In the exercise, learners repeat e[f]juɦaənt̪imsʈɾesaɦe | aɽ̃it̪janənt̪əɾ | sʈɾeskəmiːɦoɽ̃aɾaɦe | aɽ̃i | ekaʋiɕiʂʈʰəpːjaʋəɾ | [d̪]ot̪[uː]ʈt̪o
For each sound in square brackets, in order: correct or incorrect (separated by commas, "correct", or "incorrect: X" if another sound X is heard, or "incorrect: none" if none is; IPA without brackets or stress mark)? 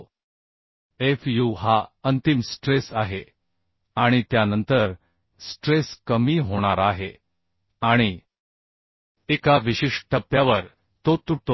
correct, incorrect: t̪, incorrect: u